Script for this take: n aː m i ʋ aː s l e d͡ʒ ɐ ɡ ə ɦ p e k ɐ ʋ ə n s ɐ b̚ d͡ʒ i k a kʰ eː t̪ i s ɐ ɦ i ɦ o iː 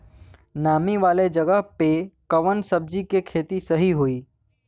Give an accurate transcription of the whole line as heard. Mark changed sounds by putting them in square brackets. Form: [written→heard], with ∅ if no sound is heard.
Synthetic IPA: n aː m i ʋ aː [s→∅] l e d͡ʒ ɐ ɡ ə ɦ p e k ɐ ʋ ə n s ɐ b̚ d͡ʒ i k [a→e] kʰ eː t̪ i s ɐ ɦ i ɦ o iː